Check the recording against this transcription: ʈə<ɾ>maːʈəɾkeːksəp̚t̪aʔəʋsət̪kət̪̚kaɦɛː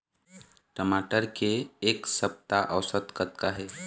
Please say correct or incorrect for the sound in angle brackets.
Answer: incorrect